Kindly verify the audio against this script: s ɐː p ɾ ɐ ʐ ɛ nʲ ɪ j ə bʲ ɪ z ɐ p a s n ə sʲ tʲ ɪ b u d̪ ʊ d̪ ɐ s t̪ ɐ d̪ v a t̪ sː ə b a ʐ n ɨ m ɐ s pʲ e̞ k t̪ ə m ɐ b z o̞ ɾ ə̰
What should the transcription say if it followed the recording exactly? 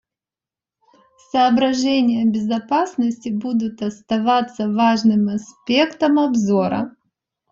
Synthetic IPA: s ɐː b ɾ ɐ ʐ ɛ nʲ ɪ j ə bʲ ɪ z ɐ p a s n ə sʲ tʲ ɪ b u d̪ ʊ t̪ ɐ s t̪ ɐ v a t̪ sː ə v a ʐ n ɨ m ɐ s pʲ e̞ k t̪ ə m ɐ b z o̞ ɾ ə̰